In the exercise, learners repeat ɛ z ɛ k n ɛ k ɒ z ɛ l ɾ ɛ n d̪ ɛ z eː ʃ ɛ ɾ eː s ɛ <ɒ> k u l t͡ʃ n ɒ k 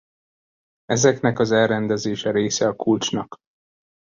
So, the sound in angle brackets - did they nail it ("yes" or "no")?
yes